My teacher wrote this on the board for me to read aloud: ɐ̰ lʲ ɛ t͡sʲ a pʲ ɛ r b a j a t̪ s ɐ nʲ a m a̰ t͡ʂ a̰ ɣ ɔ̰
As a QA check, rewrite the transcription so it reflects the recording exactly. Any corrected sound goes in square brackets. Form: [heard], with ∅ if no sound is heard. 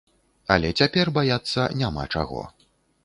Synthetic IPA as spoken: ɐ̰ lʲ ɛ t͡sʲ a pʲ ɛ r b a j a t̪ [sː] ɐ nʲ a m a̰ t͡ʂ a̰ ɣ ɔ̰